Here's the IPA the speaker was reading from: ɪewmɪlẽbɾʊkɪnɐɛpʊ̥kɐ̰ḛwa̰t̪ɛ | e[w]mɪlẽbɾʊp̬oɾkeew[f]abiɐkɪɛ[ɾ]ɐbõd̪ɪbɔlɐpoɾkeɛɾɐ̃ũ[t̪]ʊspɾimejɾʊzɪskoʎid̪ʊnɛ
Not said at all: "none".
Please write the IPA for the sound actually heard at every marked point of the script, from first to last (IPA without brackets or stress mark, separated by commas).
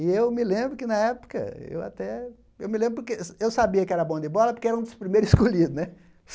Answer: w, s, ɾ, d̪